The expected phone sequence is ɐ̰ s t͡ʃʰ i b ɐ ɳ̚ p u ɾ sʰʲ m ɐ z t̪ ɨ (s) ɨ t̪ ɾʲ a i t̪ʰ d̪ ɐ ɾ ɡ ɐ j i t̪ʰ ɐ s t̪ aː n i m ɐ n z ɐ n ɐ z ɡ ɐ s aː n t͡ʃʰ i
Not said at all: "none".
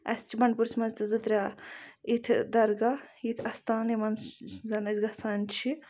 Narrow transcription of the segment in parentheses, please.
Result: z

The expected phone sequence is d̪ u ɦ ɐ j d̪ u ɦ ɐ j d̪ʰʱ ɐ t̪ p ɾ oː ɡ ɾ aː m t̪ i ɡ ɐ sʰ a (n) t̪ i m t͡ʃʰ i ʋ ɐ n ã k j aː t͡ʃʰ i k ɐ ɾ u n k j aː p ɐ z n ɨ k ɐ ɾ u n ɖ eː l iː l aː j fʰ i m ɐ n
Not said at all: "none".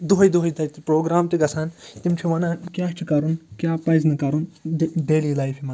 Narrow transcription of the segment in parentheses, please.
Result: n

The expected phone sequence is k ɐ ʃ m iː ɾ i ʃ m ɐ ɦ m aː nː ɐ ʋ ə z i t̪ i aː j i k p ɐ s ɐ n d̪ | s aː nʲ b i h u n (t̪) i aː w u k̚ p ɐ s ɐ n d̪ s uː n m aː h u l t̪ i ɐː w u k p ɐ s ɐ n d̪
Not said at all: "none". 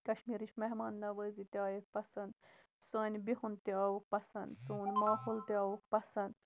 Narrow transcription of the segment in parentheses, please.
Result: t̪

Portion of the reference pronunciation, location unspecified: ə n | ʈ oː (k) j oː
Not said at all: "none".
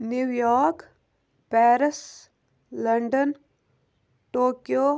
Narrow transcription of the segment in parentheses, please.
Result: k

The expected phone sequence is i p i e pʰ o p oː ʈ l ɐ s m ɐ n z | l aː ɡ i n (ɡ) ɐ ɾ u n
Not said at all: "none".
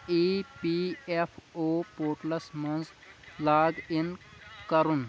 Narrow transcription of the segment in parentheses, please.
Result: k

